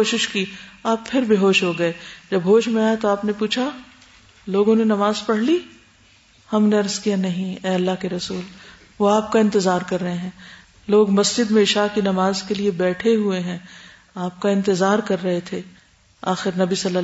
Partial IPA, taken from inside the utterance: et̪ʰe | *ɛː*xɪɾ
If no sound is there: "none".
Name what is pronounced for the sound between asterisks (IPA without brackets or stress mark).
aː